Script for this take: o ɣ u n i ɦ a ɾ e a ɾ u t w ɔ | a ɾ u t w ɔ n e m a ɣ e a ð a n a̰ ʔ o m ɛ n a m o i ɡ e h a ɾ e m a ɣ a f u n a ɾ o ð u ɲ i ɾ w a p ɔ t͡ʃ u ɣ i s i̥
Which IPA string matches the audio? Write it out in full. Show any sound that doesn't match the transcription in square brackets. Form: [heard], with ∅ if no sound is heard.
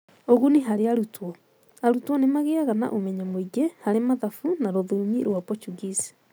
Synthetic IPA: o ɣ u n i ɦ a ɾ e a ɾ u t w ɔ | a ɾ u t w ɔ n e m a ɣ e a [ɣ] a n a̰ ʔ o m ɛ [ɲ] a m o i ɡ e h a ɾ e m a [ð] a f u n a ɾ o ð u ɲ i ɾ w a p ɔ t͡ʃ u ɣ i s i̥